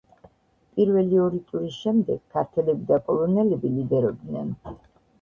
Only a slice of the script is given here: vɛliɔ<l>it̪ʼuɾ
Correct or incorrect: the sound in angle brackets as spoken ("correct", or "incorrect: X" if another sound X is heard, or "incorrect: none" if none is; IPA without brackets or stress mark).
incorrect: ɾ